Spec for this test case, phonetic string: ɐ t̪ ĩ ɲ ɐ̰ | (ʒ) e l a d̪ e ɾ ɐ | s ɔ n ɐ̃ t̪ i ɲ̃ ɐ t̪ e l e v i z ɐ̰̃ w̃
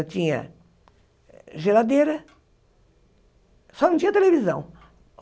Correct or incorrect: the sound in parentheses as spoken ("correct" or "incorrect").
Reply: correct